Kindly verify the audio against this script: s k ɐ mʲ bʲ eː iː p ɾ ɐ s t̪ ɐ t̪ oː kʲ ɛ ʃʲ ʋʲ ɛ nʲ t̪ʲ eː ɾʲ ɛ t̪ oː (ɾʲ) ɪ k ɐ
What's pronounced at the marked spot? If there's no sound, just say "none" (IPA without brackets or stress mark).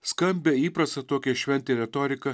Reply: ɾʲ